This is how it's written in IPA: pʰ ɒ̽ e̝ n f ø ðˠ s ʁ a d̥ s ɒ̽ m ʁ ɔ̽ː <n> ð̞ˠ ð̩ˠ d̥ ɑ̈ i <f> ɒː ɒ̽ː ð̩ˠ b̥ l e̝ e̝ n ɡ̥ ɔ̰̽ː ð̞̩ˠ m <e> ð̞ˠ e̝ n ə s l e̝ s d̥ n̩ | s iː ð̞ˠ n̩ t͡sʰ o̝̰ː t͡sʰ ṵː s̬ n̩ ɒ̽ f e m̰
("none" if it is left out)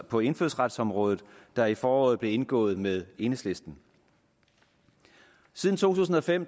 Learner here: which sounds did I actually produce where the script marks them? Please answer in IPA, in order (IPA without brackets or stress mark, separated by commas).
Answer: none, f, e